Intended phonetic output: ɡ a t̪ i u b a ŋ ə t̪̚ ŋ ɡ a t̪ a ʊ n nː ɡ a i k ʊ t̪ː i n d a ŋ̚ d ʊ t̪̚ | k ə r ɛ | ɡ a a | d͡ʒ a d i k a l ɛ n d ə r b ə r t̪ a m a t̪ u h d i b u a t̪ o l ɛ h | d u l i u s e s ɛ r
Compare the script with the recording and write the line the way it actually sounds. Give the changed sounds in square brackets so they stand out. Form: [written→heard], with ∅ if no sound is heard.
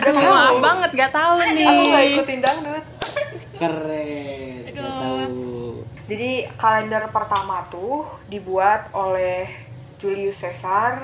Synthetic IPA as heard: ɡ a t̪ [i→a] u b a ŋ ə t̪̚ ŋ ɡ a t̪ a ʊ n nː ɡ a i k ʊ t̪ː i n d a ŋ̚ d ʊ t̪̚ | k ə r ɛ | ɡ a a | d͡ʒ a d i k a l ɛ n d ə r [b→p] ə r t̪ a m a t̪ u h d i b u a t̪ o l ɛ h | [d→d͡ʒ] u l i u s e s [ɛ→a] r